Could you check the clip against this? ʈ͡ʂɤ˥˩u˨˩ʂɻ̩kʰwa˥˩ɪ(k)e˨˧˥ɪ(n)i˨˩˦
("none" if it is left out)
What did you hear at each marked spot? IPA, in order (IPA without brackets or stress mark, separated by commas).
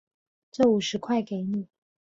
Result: k, n